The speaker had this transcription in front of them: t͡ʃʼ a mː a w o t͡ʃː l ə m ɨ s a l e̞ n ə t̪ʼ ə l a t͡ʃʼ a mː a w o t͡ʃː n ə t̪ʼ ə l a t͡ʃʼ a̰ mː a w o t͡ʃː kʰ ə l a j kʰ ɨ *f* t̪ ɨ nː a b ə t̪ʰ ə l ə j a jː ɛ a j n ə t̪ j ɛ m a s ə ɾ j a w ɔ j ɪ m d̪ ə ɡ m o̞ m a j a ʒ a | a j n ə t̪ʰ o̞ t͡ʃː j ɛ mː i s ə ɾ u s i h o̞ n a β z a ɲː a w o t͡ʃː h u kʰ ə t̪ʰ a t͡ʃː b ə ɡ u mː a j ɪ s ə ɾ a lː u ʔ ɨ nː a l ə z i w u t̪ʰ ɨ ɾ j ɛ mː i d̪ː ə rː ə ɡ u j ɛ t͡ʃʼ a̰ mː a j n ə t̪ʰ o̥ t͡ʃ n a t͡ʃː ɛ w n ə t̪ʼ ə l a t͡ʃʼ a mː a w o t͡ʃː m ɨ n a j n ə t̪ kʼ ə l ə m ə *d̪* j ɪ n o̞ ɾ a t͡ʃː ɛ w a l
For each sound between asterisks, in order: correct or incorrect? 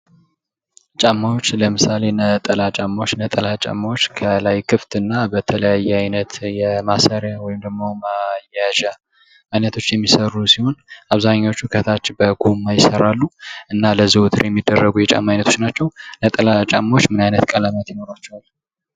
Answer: correct, incorrect: t̪

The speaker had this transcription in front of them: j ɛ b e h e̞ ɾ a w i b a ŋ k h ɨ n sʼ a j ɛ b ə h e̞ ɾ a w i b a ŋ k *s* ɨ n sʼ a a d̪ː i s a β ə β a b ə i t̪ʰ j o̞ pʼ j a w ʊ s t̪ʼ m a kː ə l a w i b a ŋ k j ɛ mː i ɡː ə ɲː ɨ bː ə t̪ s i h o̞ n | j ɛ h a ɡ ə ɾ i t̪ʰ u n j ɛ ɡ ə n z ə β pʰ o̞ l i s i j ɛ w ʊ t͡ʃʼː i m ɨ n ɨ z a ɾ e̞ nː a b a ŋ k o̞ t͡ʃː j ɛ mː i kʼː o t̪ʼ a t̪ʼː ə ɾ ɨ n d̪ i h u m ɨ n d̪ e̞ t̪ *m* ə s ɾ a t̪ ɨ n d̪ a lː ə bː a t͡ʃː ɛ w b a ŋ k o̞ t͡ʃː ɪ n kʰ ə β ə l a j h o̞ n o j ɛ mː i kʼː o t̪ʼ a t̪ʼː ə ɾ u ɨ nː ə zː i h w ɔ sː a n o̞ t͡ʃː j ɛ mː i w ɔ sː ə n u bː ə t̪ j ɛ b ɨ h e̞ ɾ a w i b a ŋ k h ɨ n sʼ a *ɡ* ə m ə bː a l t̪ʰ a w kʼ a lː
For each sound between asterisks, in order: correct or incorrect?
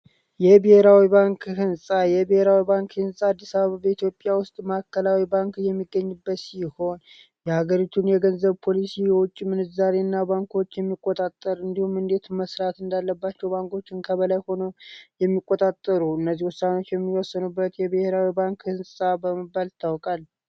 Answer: incorrect: h, correct, incorrect: b

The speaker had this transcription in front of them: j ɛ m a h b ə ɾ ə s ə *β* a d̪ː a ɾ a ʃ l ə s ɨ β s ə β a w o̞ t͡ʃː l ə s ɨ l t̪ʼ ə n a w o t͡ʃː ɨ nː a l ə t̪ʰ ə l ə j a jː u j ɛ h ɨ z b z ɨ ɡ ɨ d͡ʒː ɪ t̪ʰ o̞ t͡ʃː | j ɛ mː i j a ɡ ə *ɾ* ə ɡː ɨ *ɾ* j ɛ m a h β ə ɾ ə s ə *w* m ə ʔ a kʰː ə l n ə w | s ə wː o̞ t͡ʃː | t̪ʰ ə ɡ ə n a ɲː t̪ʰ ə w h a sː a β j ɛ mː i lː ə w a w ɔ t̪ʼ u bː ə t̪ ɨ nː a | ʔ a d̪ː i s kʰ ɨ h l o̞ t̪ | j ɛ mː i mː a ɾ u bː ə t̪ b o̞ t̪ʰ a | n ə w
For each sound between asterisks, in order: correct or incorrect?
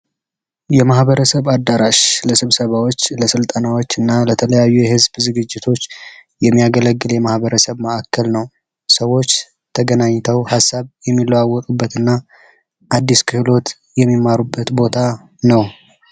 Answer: correct, incorrect: l, incorrect: l, incorrect: β

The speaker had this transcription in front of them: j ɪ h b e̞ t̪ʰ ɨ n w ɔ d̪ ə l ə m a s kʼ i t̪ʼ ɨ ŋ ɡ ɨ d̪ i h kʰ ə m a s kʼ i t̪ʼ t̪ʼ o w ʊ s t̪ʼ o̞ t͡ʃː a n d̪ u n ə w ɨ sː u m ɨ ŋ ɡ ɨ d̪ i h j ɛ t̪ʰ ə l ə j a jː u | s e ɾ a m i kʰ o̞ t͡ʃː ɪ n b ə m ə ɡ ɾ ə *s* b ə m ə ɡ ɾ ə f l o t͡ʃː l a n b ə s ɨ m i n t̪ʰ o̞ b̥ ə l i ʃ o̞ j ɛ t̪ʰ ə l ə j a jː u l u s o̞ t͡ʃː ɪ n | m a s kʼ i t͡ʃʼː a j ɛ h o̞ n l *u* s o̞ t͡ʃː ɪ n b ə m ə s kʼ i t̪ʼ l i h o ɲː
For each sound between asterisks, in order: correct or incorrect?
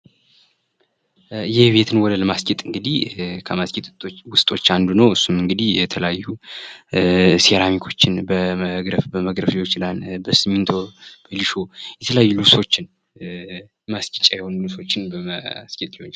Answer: incorrect: f, correct

